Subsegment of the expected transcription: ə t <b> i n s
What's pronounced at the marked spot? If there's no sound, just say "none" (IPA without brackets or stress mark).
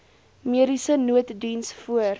d